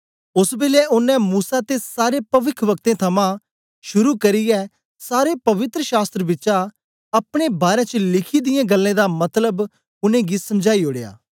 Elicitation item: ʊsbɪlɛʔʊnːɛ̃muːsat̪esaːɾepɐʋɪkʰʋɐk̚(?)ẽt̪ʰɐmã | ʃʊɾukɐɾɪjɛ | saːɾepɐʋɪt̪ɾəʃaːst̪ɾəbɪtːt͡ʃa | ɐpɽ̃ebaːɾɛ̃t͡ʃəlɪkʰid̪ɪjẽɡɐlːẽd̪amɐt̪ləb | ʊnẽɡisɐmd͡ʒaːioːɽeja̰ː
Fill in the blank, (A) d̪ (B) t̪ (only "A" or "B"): B